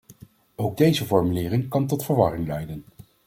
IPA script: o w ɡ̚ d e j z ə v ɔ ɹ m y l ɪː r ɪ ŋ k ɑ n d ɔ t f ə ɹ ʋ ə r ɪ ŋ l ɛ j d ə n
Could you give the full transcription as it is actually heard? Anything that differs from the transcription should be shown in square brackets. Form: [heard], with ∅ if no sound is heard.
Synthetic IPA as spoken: o w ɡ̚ d e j z ə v ɔ ɹ m y l ɪː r ɪ ŋ k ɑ n [t] ɔ t f ə ɹ ʋ [ɑ] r ɪ ŋ l ɛ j d ə n